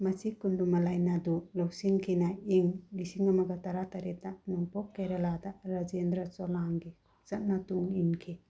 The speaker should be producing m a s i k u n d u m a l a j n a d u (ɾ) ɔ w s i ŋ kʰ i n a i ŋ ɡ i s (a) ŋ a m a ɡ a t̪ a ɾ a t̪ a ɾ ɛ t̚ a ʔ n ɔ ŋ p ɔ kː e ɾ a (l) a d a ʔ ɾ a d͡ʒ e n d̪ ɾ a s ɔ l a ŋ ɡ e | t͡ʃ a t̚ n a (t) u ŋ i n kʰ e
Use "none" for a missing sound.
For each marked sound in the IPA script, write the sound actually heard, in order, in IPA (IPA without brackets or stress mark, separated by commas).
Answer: l, i, l, t